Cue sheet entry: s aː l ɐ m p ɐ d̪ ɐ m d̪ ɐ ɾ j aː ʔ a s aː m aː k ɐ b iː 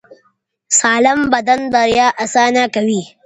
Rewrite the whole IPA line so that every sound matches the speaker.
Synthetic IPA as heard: s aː l ɐ m b ɐ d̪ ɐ n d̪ ɐ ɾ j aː ʔ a s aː n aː k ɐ w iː